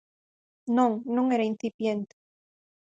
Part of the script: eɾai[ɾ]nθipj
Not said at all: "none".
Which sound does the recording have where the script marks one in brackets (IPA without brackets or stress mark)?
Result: none